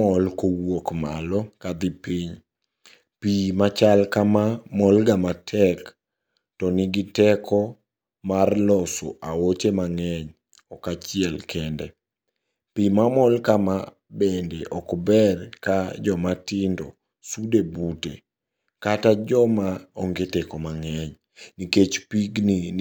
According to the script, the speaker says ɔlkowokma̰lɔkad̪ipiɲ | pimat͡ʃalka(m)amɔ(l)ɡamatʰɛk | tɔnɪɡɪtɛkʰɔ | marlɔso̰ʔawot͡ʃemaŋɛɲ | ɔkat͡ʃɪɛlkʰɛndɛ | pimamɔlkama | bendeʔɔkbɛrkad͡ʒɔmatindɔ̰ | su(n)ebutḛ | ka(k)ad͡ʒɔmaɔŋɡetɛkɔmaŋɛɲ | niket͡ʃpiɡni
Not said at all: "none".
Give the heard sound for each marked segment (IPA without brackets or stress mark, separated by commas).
m, l, d, t